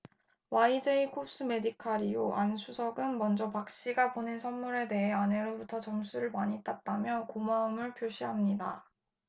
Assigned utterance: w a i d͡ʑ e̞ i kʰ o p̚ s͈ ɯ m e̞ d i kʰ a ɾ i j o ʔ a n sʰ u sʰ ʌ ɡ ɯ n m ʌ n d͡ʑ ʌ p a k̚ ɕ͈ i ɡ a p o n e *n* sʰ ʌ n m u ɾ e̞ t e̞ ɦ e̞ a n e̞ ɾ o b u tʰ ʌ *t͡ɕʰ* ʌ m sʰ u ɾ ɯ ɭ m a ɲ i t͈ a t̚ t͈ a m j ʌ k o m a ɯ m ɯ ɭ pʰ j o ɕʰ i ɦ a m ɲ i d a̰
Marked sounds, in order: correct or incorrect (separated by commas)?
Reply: correct, incorrect